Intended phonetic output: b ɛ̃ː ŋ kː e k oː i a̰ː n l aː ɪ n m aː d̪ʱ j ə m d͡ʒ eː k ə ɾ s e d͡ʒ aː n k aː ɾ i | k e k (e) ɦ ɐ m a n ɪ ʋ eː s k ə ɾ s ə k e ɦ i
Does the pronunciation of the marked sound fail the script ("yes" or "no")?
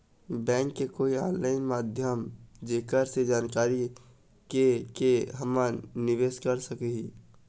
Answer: no